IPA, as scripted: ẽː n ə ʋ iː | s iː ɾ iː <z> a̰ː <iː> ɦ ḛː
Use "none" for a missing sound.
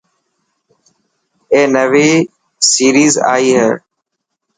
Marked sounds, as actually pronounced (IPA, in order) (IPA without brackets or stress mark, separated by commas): z, iː